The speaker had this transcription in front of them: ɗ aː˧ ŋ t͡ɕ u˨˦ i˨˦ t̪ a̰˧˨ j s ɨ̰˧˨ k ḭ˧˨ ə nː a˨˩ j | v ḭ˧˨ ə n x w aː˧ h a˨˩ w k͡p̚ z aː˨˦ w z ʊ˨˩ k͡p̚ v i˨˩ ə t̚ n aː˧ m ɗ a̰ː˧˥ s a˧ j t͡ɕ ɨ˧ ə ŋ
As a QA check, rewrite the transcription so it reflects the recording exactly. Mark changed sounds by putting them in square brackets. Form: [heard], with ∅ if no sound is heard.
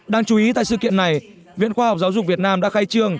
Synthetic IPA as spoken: ɗ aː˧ ŋ t͡ɕ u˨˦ i˨˦ t̪ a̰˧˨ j s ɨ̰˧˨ k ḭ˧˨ ə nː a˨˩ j | v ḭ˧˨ ə n x w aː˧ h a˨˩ w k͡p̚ z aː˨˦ w z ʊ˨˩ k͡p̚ v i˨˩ ə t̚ n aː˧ m ɗ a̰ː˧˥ [x] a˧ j t͡ɕ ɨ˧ ə ŋ

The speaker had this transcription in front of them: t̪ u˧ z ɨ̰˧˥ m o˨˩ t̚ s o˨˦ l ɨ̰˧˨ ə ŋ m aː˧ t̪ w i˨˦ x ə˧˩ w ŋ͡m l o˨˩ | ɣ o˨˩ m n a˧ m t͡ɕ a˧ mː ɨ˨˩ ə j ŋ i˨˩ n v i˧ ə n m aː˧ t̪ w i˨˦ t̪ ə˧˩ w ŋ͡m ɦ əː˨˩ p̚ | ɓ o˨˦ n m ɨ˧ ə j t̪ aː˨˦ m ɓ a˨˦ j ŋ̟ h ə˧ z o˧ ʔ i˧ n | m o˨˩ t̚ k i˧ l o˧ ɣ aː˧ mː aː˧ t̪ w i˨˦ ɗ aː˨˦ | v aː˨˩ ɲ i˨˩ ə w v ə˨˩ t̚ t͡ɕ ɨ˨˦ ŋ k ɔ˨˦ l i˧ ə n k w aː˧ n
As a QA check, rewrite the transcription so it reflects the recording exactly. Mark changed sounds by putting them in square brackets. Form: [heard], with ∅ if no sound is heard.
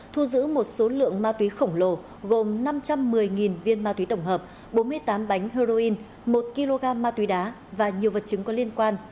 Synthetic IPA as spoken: [t̪ʰ] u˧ z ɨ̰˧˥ m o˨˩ t̚ s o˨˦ l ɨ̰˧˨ ə ŋ m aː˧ t̪ w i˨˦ x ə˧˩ w ŋ͡m l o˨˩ | ɣ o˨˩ m n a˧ m t͡ɕ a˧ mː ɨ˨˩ ə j ŋ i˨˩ n v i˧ ə n m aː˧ t̪ w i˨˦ t̪ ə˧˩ w ŋ͡m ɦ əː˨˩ p̚ | ɓ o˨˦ n m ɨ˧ ə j t̪ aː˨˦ m ɓ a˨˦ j ŋ̟ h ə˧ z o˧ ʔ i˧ n | m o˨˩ t̚ k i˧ l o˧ ɣ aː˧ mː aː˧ t̪ w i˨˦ ɗ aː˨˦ | v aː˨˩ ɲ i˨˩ ə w v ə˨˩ t̚ t͡ɕ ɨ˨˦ ŋ k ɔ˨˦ l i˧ ə n k w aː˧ n

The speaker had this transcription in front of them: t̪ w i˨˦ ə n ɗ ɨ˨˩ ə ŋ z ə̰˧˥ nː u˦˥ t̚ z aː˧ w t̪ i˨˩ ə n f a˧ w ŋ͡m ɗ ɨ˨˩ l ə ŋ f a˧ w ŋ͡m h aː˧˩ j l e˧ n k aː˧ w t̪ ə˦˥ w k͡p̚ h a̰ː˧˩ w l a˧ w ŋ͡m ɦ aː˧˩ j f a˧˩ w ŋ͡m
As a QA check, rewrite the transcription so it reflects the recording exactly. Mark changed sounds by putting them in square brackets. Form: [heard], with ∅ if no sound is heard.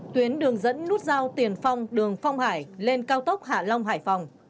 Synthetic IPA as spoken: t̪ w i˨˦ ə n ɗ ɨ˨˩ ə ŋ z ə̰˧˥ nː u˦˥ t̚ z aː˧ w t̪ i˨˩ ə n f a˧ w ŋ͡m ɗ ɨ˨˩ [∅] ə ŋ f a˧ w ŋ͡m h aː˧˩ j l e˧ n k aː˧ w t̪ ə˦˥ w k͡p̚ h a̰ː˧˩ [∅] l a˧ w ŋ͡m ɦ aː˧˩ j f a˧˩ w ŋ͡m

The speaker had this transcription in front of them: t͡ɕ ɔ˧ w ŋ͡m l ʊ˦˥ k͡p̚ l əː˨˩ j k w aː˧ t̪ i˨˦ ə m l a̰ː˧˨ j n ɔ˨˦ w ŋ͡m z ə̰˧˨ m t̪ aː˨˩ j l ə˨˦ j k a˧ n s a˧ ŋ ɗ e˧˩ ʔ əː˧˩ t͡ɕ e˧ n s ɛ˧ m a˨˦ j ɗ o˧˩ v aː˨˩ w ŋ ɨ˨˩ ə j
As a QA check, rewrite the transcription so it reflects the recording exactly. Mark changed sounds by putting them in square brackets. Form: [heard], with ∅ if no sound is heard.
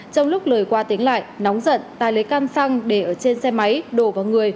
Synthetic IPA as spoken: t͡ɕ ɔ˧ w ŋ͡m l ʊ˦˥ k͡p̚ l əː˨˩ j k w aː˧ t̪ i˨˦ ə [ŋ] l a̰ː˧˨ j n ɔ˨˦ w ŋ͡m z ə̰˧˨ [n] t̪ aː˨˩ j l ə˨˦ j k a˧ n s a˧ ŋ ɗ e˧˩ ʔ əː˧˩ t͡ɕ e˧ n s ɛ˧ m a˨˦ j ɗ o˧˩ v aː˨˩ w ŋ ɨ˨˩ ə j

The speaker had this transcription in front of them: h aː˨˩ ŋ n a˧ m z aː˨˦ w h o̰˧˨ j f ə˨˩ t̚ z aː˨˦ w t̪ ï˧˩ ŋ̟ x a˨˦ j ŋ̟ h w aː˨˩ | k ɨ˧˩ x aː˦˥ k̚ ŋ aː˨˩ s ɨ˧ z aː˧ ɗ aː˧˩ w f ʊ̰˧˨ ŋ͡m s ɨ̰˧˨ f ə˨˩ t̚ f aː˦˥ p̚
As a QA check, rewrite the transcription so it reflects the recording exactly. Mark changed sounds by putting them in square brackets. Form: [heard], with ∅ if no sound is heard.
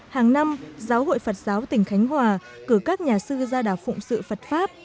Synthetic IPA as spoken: h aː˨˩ ŋ n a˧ m z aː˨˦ w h o̰˧˨ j f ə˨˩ t̚ z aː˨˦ w t̪ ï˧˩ ŋ̟ x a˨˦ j ŋ̟ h w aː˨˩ | k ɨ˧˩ [k] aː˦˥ k̚ [ɲ] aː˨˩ s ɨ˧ z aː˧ ɗ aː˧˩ w f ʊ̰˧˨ ŋ͡m s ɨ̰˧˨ f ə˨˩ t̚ f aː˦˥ p̚

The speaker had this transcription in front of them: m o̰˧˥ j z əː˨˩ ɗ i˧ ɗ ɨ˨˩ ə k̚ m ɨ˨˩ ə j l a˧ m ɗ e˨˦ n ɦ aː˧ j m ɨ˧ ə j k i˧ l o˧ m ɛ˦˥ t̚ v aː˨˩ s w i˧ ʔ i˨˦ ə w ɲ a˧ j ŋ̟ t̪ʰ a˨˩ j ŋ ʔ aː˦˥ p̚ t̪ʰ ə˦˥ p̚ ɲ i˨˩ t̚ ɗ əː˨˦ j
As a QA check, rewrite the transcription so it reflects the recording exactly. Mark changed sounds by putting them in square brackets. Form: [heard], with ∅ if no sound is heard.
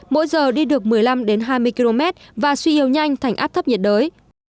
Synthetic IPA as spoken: m o̰˧˥ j z əː˨˩ ɗ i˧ ɗ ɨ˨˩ ə k̚ m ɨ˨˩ ə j l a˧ m ɗ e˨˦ n ɦ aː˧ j m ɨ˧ ə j k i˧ l o˧ m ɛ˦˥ t̚ v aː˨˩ s w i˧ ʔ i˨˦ ə w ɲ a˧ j ŋ̟ t̪ʰ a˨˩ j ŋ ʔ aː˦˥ p̚ t̪ʰ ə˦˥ p̚ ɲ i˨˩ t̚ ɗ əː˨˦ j

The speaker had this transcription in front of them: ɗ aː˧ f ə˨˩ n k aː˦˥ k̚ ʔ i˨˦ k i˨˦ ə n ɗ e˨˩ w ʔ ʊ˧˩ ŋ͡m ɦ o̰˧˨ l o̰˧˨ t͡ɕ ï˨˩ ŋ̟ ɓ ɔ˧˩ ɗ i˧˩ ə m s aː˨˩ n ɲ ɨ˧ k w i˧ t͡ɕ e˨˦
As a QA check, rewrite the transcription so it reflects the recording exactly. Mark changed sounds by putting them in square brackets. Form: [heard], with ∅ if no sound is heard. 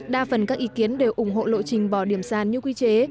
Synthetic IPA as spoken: ɗ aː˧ f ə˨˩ n k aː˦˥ k̚ ʔ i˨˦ k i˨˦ ə n ɗ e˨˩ w ʔ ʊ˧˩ ŋ͡m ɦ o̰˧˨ l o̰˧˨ t͡ɕ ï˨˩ ŋ̟ ɓ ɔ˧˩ ɗ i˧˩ ə m s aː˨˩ n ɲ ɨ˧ k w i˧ t͡ɕ e˨˦

